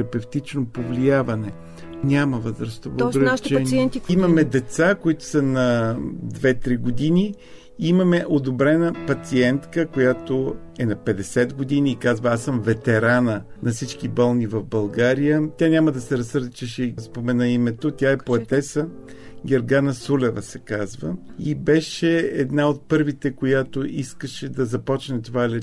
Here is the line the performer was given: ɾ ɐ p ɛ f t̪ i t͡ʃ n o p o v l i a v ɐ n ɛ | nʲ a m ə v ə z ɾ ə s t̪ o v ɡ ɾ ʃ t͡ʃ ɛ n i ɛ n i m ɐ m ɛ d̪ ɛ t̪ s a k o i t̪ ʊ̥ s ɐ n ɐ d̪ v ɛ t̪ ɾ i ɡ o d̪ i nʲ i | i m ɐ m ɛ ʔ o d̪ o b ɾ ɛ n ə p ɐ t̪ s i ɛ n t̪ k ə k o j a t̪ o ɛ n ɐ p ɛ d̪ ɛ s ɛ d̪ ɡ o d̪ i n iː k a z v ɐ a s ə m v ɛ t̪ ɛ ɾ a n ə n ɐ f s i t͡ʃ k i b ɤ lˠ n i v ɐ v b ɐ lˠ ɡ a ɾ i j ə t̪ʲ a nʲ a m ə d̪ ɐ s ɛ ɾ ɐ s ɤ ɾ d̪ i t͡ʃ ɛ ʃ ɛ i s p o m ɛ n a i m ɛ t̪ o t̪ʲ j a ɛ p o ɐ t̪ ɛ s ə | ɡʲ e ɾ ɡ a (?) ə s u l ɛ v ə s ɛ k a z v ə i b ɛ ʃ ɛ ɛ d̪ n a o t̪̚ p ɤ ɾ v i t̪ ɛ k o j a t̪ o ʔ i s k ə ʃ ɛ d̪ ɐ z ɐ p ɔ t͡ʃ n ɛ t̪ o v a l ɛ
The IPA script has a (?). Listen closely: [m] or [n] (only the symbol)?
n